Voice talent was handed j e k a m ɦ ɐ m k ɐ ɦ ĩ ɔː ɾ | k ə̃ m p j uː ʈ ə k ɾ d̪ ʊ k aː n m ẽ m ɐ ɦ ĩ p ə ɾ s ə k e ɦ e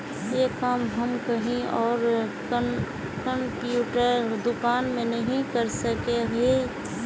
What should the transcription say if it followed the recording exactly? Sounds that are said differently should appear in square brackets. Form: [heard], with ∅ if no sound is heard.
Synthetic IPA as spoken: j e k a m ɦ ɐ m k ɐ ɦ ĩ ɔː ɾ | k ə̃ m p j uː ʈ ə [∅] ɾ d̪ ʊ k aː n m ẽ [n] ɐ ɦ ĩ [k] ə ɾ s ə k e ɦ e